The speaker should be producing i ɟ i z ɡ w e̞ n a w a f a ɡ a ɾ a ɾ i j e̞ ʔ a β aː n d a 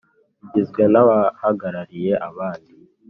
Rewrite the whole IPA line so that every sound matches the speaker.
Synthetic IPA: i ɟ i z ɡ w e̞ n a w a h a ɡ a ɾ a ɾ i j e̞ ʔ a β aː n d i